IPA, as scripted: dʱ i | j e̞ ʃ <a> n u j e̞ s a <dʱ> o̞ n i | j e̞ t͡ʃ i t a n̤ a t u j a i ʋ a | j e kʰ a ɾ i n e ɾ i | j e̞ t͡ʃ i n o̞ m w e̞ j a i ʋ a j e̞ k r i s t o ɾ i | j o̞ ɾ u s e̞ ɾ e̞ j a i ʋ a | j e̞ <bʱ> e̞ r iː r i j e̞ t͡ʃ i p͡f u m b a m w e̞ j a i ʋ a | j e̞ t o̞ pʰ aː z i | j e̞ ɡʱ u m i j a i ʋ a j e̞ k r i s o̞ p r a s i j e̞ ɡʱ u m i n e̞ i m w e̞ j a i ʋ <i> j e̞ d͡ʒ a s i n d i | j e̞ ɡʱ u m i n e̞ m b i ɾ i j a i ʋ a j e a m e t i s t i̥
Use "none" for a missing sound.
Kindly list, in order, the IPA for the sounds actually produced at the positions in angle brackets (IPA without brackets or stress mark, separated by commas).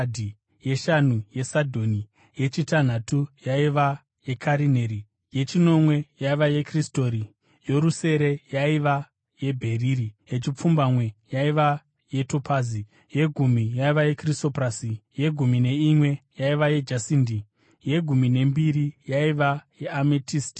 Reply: a, dʱ, bʱ, a